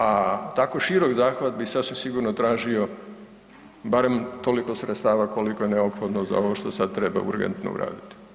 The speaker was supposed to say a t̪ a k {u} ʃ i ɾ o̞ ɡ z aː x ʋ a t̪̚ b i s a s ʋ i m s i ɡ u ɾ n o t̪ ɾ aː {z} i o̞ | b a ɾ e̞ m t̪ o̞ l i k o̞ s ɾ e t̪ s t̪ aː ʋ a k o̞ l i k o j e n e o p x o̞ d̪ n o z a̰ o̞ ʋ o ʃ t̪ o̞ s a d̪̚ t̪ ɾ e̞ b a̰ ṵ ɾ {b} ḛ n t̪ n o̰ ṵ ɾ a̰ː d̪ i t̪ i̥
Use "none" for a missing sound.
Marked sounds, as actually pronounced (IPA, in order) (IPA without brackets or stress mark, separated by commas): o, ʒ, ɡ